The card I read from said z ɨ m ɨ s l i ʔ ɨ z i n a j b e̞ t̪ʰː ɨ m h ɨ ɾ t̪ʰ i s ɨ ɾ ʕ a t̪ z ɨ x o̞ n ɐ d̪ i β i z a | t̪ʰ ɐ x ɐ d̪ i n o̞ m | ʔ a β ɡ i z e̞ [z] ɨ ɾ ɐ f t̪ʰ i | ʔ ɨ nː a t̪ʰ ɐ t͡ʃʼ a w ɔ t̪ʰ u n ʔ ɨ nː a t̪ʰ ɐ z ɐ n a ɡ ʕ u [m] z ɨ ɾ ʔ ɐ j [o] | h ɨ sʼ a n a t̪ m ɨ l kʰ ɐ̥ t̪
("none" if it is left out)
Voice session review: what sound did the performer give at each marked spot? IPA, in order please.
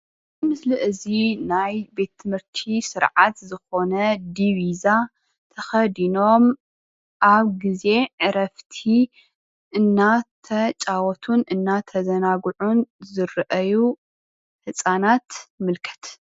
ʕ, n, u

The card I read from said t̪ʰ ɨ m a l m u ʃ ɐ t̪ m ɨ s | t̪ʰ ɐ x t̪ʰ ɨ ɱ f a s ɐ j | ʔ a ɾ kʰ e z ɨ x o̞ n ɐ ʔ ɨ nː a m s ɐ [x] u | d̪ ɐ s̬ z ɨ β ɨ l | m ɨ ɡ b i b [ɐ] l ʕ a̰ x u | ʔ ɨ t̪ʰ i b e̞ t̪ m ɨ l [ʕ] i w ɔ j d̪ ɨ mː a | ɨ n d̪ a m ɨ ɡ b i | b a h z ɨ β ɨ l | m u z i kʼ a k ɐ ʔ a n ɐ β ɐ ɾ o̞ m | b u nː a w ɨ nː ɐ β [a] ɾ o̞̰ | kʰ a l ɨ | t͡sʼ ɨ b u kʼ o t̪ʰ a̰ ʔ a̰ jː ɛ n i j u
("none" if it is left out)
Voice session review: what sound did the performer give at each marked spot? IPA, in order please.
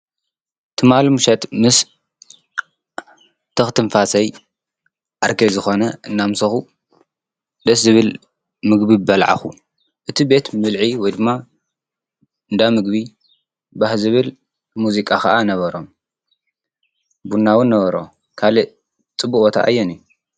x, ɐ, ʕ, ɐ

